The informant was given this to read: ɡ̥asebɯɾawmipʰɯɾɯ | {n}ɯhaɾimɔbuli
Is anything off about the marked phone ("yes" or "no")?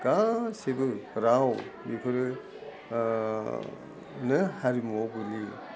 no